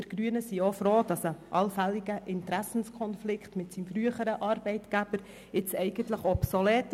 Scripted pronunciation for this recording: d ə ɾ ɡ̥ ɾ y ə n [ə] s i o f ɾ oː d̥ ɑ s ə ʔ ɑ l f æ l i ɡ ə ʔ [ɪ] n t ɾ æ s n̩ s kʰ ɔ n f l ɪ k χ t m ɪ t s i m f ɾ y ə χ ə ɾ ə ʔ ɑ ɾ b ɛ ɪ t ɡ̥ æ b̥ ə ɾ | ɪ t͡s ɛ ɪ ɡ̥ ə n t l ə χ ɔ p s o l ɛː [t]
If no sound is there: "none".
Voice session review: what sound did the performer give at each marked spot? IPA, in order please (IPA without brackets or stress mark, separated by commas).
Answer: ə, ɪ, t